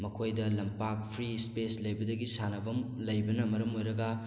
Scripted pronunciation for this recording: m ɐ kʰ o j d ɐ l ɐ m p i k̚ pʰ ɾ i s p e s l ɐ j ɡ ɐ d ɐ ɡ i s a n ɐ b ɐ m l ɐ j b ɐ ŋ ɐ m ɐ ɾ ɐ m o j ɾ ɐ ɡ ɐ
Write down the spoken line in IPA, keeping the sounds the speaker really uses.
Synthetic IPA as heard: m ɐ kʰ o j d ɐ l ɐ m p a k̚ pʰ ɾ i s p e s l ɐ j b ɐ d ɐ ɡ i s a n ɐ b ɐ m l ɐ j b ɐ n ɐ m ɐ ɾ ɐ m o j ɾ ɐ ɡ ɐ